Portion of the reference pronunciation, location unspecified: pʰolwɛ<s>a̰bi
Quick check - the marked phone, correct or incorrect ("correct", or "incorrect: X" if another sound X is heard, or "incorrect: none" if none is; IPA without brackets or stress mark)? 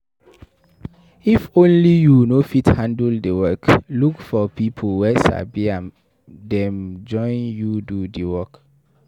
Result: correct